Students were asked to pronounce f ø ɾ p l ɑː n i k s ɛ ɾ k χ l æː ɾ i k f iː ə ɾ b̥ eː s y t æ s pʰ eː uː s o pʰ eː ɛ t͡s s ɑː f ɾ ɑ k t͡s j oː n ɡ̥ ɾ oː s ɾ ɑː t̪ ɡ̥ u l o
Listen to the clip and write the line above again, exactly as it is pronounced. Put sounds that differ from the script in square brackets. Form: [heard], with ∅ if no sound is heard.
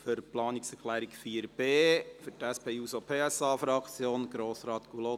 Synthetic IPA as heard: f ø ɾ p l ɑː n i k s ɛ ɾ k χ l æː ɾ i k f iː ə ɾ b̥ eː [f] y t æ s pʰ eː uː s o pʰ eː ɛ [∅] s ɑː f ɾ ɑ k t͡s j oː n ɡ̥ ɾ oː s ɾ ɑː t̪ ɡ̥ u l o